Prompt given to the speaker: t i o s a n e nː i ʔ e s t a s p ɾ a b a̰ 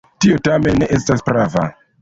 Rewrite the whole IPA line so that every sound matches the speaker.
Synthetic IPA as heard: t i o t a m e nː e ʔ e s t a s p ɾ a v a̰